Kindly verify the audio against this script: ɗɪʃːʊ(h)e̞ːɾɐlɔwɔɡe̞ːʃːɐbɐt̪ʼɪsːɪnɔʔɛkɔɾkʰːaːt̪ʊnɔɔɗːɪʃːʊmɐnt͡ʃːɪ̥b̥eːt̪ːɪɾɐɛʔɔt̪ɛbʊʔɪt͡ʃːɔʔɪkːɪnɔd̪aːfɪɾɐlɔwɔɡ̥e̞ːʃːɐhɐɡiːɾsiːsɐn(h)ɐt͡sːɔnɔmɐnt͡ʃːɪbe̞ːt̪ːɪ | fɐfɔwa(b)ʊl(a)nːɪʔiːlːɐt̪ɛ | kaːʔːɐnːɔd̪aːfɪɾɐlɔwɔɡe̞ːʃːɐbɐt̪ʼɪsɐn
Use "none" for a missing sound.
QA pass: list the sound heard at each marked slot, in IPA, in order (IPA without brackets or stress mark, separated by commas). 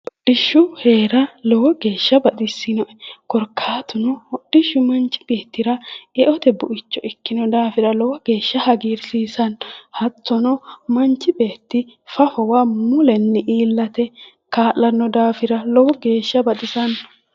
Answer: h, h, m, ɛ